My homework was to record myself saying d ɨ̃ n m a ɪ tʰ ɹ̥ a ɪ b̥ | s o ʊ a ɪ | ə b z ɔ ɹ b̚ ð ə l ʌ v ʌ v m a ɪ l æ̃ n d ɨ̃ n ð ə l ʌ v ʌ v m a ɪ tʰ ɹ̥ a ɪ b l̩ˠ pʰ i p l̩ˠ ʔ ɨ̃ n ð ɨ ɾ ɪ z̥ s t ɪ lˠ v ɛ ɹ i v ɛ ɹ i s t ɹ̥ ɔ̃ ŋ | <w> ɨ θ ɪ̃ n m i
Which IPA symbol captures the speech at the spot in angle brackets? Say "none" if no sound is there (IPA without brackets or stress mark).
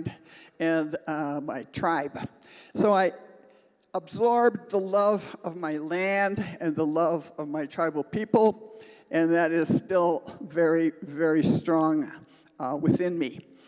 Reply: w